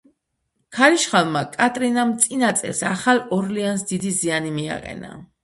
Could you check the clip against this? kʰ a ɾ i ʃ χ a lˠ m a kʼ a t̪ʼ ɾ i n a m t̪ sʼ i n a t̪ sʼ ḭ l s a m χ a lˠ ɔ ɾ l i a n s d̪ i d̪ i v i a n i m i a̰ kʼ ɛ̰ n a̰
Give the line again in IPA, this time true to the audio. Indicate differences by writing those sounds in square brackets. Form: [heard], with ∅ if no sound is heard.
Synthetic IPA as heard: kʰ a ɾ i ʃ χ a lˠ m a kʼ a t̪ʼ ɾ i n a m t̪ sʼ i n a t̪ sʼ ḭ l s a [∅] χ a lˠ ɔ ɾ l i a n s d̪ i d̪ i [z] i a n i m i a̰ [qʼ] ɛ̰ n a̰